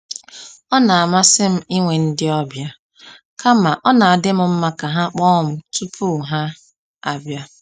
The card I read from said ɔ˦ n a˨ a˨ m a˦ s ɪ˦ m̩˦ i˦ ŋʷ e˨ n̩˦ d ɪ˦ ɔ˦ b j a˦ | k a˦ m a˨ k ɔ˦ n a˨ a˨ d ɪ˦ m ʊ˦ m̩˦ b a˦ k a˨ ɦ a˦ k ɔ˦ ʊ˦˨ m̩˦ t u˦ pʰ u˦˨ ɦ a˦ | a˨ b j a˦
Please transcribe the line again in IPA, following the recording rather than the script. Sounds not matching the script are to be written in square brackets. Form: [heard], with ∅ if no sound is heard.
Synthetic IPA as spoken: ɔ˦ n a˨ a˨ m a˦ s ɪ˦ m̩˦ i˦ ŋʷ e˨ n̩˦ d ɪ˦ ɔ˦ b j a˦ | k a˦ m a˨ [ʔ] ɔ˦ n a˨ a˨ d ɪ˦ m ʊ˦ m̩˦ [m] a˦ k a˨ ɦ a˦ [k͡p] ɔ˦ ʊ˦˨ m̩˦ t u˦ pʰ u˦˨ ɦ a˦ | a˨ b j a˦